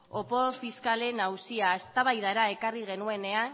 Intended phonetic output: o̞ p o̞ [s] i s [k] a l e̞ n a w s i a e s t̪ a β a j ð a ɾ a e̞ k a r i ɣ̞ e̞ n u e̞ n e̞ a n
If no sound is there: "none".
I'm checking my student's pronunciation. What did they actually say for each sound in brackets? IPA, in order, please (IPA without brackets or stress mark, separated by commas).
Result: f, k